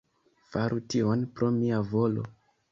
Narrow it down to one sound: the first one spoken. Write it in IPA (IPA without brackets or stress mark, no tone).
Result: f